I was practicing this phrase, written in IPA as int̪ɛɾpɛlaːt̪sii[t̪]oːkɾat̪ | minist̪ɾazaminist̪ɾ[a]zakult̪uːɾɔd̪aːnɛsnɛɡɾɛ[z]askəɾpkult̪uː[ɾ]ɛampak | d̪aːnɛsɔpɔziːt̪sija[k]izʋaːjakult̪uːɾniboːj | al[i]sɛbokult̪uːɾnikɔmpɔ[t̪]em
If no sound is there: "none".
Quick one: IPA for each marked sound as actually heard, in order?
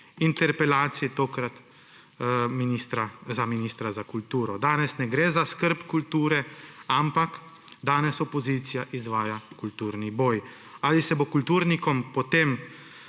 t̪, a, z, ɾ, ʔ, i, t̪

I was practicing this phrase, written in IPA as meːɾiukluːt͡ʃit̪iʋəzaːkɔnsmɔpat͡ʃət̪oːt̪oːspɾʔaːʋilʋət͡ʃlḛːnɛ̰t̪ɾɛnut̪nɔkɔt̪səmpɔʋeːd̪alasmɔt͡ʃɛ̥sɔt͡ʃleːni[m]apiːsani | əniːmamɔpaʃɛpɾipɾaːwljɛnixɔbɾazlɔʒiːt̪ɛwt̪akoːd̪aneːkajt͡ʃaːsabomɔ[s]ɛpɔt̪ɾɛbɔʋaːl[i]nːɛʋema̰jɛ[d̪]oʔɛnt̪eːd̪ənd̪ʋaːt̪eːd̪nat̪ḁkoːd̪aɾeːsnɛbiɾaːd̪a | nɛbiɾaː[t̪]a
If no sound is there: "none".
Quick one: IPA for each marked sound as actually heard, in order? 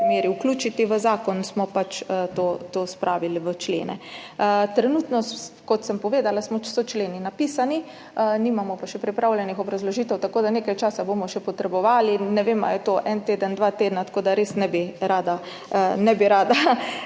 n, ʃ, i, t̪, d̪

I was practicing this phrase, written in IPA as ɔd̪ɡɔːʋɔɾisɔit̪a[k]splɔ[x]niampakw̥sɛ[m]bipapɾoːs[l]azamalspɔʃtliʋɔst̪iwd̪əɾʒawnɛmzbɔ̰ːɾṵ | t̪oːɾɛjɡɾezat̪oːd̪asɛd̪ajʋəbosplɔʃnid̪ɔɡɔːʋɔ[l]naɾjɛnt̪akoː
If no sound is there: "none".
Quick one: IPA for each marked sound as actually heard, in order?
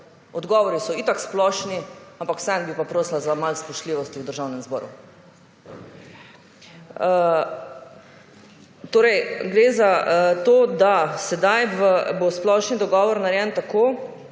k, ʃ, n, l, ɾ

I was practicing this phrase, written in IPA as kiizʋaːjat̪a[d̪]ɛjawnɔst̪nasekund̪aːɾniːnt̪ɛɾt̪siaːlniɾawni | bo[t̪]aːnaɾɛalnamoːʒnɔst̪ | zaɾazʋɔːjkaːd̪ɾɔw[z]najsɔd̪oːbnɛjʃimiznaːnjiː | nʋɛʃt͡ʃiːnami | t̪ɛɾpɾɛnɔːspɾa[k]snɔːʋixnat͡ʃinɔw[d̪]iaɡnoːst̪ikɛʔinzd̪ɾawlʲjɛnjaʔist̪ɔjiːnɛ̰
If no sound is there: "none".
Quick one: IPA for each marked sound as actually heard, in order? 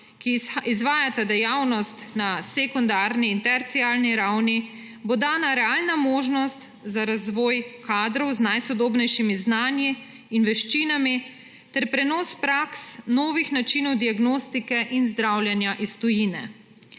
d̪, d̪, z, k, d̪

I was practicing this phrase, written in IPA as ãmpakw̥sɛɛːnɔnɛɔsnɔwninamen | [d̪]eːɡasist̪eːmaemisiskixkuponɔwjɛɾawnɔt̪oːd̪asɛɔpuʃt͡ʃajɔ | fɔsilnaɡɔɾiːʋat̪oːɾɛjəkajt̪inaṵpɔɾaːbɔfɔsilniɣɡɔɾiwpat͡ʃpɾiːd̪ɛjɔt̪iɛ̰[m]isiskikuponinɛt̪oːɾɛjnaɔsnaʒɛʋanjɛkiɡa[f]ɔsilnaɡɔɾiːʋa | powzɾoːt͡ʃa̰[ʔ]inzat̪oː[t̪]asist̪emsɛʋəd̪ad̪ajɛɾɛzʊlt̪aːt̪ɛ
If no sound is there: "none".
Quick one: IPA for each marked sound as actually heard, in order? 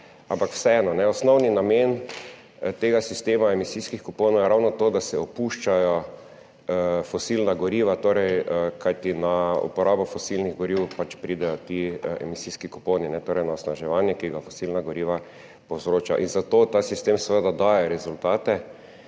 t̪, m, f, ʔ, t̪

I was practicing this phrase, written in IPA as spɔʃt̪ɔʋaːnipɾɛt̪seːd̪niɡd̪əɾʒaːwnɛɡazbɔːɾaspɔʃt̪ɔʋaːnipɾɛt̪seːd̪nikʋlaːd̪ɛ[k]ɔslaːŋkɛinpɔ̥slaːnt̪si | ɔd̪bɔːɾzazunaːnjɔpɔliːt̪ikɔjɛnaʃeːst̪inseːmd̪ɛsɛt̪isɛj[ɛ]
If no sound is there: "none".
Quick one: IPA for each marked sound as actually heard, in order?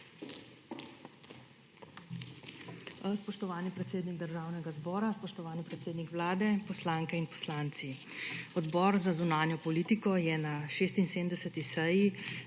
p, i

